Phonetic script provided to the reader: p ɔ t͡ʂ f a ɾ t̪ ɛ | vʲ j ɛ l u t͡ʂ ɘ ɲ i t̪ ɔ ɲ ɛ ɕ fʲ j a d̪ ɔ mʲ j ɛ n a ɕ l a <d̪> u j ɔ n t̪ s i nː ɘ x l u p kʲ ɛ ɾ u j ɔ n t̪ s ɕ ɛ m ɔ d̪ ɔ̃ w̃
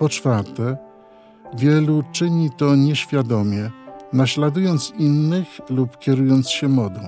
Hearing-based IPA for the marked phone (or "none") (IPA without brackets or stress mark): d̪